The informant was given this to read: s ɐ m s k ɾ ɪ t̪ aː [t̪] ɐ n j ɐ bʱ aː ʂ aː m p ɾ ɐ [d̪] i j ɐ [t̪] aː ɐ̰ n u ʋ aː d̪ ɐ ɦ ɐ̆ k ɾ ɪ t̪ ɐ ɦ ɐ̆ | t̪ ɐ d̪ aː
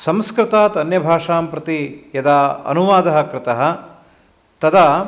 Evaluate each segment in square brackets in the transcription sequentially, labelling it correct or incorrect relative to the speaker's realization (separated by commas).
correct, incorrect, incorrect